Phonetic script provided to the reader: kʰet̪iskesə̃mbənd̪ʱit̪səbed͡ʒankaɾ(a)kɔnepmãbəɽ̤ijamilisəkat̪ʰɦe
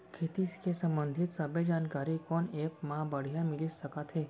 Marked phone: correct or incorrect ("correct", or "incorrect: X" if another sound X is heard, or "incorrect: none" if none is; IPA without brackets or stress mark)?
incorrect: i